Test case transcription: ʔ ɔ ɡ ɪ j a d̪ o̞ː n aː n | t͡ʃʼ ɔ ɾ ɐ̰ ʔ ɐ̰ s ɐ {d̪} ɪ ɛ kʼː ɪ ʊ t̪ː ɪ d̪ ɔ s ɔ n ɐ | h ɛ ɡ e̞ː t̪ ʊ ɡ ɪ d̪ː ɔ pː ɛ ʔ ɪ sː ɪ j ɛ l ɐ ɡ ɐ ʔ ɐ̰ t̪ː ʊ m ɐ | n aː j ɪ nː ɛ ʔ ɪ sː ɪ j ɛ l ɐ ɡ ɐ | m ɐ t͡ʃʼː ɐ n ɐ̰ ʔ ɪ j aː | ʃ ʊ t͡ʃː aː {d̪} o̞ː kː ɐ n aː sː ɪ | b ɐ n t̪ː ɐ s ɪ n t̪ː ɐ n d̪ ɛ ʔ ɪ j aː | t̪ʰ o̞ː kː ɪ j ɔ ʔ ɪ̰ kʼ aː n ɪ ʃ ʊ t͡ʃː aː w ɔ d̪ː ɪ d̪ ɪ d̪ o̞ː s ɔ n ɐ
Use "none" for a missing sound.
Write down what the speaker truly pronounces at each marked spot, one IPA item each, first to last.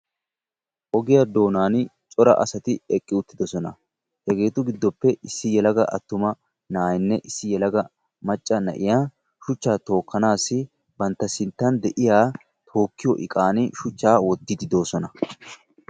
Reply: t̪, t̪

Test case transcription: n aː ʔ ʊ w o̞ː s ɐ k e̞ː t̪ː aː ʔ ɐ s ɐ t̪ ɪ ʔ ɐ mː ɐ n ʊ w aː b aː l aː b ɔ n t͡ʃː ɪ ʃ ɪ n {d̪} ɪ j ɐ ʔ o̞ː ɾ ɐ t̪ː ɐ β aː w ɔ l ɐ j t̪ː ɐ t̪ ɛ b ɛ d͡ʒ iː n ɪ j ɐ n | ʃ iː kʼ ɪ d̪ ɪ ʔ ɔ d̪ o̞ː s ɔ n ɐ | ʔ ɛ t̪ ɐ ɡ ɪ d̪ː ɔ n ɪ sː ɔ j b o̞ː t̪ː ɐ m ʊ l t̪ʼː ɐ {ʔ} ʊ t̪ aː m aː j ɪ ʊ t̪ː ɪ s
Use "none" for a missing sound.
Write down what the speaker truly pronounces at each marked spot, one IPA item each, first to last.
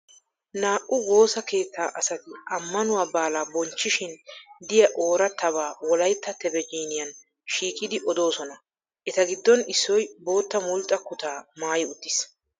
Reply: d̪, k

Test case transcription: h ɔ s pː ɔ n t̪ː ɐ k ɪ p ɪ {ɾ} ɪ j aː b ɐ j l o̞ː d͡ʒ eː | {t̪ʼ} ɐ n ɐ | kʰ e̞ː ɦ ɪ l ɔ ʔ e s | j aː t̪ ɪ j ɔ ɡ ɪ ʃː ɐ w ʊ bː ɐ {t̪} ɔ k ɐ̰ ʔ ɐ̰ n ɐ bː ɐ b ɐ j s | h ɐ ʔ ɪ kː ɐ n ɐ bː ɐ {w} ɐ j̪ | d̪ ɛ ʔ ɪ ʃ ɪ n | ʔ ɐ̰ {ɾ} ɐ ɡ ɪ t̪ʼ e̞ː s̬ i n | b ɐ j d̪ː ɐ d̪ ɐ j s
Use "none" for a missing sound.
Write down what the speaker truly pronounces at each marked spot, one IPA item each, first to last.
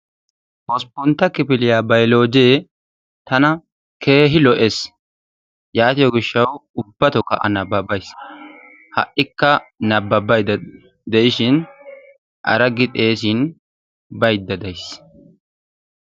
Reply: l, t̪, t̪, b, ɾ

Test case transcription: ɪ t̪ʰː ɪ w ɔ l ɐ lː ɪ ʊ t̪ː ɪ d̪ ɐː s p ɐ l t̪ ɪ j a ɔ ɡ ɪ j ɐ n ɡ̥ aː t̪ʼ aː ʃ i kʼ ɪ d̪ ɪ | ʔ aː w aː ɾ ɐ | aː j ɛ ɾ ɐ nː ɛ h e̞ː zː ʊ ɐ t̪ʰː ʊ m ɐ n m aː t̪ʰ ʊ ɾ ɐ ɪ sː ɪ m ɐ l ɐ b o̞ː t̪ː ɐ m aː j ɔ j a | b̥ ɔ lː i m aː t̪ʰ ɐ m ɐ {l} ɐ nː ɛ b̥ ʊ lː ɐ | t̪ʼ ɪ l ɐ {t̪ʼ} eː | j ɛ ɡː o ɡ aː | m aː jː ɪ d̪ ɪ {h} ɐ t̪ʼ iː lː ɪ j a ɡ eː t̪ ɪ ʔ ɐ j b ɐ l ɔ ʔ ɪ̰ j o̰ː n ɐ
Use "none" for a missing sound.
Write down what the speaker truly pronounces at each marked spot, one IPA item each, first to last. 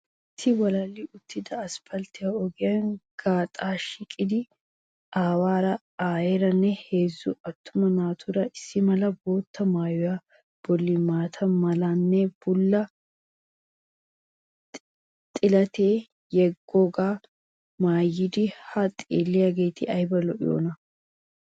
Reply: l, t̪, h

